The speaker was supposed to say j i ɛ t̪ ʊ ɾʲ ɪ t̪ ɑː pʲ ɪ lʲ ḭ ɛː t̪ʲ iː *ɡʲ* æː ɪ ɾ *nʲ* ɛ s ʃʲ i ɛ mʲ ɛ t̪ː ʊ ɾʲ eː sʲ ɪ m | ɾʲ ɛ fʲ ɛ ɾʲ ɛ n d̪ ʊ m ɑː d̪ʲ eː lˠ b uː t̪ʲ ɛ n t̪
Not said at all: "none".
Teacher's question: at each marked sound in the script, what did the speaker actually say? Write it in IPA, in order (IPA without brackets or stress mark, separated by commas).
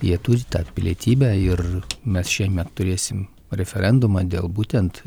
bʲ, mʲ